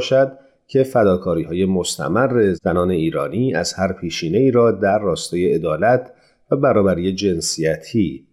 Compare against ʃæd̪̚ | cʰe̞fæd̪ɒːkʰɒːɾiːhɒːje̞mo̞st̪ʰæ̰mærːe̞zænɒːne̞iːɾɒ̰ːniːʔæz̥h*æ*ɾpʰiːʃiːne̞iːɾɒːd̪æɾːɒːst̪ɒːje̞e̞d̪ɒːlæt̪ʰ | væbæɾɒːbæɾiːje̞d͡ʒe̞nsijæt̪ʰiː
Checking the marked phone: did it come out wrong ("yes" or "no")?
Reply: no